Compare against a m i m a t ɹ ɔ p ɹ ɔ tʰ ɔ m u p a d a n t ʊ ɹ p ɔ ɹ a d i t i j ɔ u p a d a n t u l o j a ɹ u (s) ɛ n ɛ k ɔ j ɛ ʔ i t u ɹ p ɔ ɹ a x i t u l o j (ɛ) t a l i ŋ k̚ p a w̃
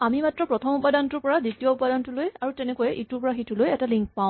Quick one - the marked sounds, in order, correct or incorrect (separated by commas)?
incorrect, correct